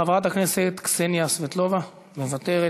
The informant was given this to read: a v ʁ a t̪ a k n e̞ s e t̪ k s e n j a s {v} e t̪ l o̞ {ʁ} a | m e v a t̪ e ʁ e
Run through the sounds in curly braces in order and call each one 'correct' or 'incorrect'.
correct, incorrect: v

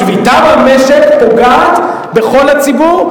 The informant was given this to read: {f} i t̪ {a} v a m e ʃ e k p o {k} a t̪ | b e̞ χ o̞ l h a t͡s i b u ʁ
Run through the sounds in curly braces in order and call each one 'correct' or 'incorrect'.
incorrect: v, correct, incorrect: ɡ

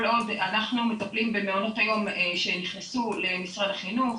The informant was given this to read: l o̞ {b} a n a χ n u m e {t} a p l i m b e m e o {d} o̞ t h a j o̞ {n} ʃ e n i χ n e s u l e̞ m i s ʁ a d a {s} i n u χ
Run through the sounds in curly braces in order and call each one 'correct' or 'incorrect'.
incorrect: d, correct, incorrect: n, incorrect: m, incorrect: χ

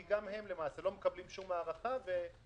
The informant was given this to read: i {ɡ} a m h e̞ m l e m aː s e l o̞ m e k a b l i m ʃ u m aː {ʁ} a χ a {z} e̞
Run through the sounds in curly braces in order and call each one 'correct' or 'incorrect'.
correct, correct, incorrect: v

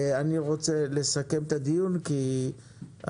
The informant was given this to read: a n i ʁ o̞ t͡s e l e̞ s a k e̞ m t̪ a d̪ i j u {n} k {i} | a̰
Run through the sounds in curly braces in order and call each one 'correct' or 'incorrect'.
correct, correct

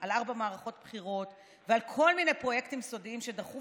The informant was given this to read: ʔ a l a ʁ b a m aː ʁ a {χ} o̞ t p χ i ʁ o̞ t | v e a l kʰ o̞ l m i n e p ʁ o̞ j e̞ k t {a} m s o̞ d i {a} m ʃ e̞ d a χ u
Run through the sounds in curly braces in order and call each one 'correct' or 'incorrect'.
correct, incorrect: i, incorrect: i

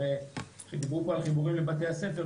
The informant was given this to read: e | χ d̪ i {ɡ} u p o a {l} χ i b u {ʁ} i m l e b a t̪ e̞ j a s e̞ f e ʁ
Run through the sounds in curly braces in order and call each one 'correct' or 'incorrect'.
incorrect: b, correct, correct

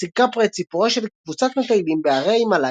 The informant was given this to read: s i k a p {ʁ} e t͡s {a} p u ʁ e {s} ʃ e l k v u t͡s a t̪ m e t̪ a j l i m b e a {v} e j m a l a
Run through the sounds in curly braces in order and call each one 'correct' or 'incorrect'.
correct, incorrect: i, incorrect: none, incorrect: ʁ

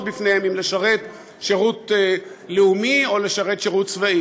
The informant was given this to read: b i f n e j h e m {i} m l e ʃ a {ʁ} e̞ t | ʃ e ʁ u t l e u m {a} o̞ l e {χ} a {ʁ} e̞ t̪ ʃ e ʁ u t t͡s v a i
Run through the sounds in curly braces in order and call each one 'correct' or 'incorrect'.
correct, correct, incorrect: i, incorrect: ʃ, correct

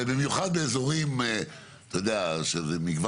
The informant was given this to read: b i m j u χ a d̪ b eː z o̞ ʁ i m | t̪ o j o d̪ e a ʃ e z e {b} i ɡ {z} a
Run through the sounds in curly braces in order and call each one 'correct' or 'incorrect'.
incorrect: m, incorrect: v

